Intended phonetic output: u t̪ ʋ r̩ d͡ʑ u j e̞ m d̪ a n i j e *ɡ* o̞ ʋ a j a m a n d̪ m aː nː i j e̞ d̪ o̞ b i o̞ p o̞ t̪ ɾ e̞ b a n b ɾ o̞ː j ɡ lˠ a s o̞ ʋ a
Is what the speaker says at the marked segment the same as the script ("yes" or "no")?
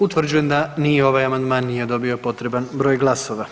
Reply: no